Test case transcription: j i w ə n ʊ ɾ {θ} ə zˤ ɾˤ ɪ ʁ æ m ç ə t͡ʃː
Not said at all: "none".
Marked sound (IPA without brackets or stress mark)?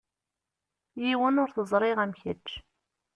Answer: θ